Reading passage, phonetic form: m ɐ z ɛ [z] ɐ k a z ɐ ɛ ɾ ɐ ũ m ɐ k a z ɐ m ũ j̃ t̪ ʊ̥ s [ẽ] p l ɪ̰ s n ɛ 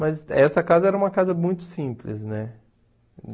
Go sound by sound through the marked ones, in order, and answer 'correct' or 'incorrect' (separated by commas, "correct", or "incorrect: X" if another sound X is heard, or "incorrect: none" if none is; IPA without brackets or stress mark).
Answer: incorrect: s, incorrect: ĩ